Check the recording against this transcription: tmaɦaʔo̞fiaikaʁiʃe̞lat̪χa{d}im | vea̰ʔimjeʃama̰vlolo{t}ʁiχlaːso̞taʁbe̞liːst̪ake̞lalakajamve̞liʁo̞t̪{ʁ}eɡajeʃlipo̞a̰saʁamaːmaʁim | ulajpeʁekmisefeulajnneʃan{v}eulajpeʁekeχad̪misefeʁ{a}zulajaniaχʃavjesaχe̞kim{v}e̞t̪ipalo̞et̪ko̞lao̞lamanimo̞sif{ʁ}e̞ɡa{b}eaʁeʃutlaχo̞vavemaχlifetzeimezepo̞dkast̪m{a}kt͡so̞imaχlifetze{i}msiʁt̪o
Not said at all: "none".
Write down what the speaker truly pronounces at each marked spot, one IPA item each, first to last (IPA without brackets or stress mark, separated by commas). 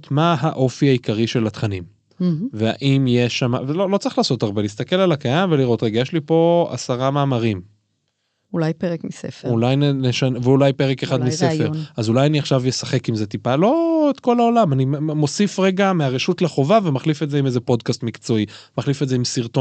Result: n, t͡s, ʁ, v, a, z, ʁ, m, i, i